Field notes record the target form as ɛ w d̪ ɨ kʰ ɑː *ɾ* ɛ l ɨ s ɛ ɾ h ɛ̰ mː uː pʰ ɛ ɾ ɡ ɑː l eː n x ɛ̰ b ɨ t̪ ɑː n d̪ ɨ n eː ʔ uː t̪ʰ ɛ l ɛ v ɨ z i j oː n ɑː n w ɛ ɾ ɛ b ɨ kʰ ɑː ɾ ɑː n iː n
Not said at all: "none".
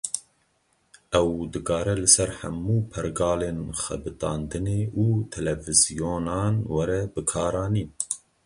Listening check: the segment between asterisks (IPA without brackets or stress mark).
ɾ